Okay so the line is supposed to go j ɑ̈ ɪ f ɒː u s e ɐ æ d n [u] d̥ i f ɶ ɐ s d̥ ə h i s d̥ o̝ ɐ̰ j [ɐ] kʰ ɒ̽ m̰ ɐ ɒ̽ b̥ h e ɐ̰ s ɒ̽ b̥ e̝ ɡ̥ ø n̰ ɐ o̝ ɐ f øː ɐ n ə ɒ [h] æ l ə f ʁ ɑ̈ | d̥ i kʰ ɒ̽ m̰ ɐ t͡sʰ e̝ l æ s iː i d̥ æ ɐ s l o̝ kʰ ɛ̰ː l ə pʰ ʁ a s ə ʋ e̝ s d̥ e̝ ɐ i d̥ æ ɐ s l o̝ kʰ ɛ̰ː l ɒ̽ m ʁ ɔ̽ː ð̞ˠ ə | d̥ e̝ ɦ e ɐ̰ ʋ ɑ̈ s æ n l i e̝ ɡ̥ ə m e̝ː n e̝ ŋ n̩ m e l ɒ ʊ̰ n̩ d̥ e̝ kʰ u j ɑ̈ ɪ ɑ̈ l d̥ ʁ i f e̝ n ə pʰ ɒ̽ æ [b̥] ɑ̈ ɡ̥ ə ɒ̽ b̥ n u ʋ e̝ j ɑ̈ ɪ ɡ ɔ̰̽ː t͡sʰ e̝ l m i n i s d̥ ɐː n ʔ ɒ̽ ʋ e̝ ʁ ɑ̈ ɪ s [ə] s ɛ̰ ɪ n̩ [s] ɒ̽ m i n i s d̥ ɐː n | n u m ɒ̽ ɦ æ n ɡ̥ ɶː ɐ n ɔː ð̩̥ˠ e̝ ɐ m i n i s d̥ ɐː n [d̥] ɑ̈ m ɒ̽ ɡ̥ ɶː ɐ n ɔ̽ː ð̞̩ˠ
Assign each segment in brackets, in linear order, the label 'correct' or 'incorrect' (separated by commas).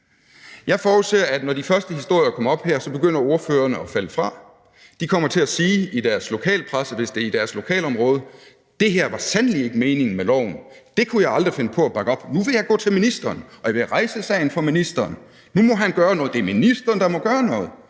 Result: incorrect, correct, incorrect, correct, correct, incorrect, correct